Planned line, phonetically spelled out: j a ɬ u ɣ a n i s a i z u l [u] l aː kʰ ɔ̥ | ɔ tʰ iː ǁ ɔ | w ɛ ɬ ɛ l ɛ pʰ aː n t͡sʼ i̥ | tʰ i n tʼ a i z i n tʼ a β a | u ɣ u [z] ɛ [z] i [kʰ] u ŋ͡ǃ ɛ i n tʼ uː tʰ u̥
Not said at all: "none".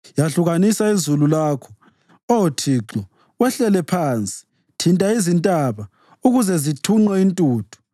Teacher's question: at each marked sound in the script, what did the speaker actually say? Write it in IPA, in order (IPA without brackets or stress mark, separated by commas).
u, z, z, tʰ